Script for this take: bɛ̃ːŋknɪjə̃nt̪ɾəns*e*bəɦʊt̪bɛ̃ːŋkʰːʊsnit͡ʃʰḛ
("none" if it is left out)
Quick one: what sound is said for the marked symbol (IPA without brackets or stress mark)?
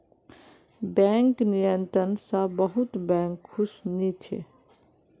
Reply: a